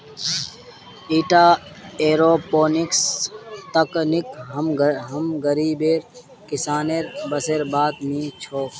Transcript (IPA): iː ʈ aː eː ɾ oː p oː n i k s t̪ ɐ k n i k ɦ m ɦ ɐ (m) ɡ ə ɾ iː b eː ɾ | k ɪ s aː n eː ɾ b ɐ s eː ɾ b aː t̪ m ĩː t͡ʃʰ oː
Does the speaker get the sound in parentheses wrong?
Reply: no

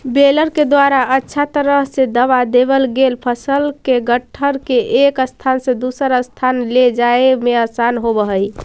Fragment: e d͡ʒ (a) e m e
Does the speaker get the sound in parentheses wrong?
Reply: no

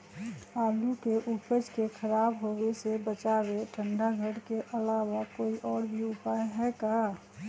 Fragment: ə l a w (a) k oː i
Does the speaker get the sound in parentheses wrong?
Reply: no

